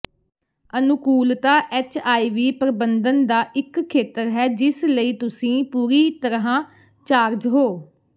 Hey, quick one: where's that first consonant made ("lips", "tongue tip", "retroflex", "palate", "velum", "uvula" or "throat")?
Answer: tongue tip